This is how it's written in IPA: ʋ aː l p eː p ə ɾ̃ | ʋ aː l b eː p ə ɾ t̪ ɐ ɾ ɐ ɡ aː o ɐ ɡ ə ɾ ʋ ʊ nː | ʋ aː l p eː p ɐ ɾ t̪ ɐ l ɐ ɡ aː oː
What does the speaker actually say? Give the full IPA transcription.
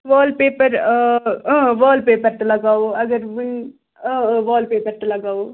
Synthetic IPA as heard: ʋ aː l p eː p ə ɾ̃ | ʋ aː l p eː p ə ɾ t̪ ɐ l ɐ ɡ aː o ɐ ɡ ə ɾ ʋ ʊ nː | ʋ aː l p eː p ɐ ɾ t̪ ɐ l ɐ ɡ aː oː